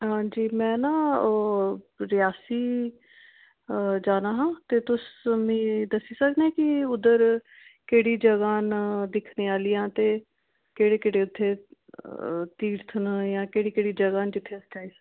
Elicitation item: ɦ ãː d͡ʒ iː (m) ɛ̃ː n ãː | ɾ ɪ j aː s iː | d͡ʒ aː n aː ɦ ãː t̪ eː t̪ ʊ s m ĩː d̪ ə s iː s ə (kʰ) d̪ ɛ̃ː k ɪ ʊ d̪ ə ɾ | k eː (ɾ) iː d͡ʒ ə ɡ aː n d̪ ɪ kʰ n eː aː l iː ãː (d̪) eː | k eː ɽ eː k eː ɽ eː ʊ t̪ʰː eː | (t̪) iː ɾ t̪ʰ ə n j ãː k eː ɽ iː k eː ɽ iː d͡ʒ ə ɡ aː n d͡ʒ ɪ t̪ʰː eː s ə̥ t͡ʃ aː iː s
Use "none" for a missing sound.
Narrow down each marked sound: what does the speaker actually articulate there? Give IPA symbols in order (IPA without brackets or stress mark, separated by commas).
m, k, ɽ, t̪, t̪